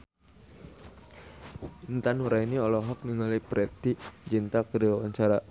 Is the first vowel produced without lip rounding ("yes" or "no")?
yes